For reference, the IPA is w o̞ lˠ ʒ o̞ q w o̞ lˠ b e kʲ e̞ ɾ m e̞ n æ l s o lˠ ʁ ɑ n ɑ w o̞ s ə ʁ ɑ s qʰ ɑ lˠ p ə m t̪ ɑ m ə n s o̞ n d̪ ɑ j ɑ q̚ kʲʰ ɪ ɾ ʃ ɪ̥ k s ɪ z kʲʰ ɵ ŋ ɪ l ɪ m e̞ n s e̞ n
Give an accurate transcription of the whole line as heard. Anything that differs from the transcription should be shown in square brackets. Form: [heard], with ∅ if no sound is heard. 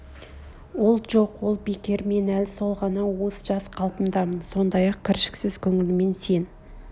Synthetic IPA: w o̞ lˠ ʒ o̞ q w o̞ lˠ b e kʲ e̞ ɾ m e̞ n æ l s o lˠ ʁ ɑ n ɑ w o̞ s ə [ʒ] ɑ s qʰ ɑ lˠ p ə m [d̪] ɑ m ə n s o̞ n d̪ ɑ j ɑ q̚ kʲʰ ɪ ɾ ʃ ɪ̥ k s ɪ z kʲʰ ɵ ŋ ɪ l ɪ m e̞ n s e̞ n

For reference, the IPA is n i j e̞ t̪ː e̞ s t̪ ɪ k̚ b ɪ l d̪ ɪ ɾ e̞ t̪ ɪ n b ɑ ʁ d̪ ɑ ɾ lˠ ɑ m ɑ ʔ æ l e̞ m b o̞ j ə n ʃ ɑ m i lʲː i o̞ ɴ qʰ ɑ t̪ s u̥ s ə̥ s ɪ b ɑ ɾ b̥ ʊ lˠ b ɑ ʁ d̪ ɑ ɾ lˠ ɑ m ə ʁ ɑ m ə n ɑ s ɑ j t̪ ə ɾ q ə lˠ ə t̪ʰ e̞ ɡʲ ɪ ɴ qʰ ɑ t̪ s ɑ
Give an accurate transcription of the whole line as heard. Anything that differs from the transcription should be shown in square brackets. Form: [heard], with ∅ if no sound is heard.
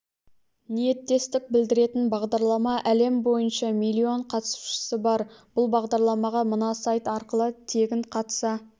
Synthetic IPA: n i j e̞ t̪ː e̞ s t̪ ɪ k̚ b ɪ l d̪ ɪ ɾ e̞ t̪ ɪ n b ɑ ʁ d̪ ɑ ɾ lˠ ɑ m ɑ ʔ æ l e̞ m b o̞ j ə n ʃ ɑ m i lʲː i o̞ ɴ qʰ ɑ t̪ s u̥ [ʃ] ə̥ s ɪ b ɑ ɾ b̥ ʊ lˠ b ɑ ʁ d̪ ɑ ɾ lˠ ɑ m [ɑ] ʁ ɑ m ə n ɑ s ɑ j t̪ [ɑ] ɾ q ə lˠ ə t̪ʰ e̞ ɡʲ ɪ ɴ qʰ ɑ t̪ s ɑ

